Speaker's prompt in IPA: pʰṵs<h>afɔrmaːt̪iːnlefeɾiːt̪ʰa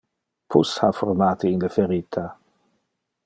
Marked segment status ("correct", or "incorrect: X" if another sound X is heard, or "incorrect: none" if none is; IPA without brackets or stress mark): correct